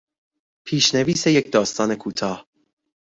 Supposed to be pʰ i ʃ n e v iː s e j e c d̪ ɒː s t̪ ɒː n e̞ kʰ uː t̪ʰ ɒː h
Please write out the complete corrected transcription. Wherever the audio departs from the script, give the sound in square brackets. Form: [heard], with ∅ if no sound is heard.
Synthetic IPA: pʰ [iː] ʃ n e v iː s e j e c d̪ ɒː s t̪ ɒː n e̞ kʰ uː t̪ʰ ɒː h